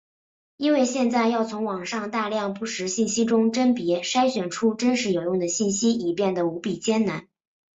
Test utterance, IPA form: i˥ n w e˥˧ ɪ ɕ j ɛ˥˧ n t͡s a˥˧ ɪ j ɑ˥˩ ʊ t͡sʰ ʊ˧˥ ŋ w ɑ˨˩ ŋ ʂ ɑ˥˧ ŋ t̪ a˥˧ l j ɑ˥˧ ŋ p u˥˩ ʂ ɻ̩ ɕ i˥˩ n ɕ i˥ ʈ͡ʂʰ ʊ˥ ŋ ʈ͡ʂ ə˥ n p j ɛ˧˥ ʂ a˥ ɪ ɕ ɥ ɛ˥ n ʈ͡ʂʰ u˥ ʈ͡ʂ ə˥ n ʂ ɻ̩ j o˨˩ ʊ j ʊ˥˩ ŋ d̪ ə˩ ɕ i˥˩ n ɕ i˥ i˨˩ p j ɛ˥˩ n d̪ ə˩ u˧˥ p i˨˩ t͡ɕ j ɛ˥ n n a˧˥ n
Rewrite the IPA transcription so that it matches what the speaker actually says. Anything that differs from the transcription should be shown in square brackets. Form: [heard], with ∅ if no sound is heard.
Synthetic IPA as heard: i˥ n w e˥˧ ɪ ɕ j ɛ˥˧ n t͡s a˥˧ ɪ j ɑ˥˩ ʊ t͡sʰ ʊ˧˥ ŋ w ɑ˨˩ ŋ ʂ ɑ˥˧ ŋ t̪ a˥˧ l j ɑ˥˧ ŋ p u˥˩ ʂ ɻ̩ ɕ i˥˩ n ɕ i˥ [ʈ͡ʂ] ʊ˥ ŋ ʈ͡ʂ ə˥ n p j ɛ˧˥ ʂ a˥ ɪ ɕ ɥ [ɛ˨˩] n ʈ͡ʂʰ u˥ ʈ͡ʂ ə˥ n ʂ ɻ̩ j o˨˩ ʊ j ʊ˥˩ ŋ d̪ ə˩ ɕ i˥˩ n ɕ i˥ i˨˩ p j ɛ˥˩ n d̪ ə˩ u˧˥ p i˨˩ t͡ɕ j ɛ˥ n n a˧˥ n

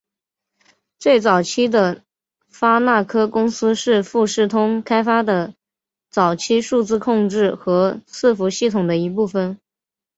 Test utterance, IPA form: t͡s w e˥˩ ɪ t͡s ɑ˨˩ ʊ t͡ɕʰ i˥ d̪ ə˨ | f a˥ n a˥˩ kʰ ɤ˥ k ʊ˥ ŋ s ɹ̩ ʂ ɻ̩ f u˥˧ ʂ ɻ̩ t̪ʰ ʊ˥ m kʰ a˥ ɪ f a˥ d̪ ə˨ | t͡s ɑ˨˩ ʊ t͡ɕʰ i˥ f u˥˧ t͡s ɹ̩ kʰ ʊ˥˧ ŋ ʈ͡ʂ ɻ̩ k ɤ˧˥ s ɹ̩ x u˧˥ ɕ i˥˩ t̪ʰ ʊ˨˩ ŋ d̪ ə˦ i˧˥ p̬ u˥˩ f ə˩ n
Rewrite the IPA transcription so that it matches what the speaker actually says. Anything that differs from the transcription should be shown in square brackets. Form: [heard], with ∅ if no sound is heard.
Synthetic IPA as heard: t͡s w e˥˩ ɪ t͡s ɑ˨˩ ʊ t͡ɕʰ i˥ d̪ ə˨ | f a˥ n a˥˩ kʰ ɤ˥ k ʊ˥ ŋ s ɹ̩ ʂ ɻ̩ f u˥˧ ʂ ɻ̩ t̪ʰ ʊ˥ [ŋ] kʰ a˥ ɪ f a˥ d̪ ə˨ | t͡s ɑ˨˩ ʊ t͡ɕʰ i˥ [ʂ] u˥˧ t͡s ɹ̩ kʰ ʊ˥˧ ŋ ʈ͡ʂ ɻ̩ [x] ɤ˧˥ s ɹ̩ [f] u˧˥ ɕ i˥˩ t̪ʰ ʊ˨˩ ŋ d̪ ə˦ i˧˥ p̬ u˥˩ f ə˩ n

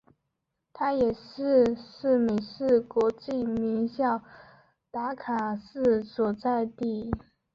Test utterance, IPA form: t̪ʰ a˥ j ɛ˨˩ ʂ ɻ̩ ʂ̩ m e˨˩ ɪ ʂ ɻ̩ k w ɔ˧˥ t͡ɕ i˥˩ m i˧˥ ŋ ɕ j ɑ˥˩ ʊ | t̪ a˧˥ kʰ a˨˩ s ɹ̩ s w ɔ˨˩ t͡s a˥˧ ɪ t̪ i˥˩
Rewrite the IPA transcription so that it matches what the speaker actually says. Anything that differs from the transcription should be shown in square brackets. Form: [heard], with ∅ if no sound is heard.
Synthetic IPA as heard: t̪ʰ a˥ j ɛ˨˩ ʂ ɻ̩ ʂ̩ m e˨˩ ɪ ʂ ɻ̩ k w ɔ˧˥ t͡ɕ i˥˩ m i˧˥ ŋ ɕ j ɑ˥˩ ʊ | t̪ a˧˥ kʰ a˨˩ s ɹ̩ s w ɔ˨˩ t͡s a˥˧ ɪ t̪ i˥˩

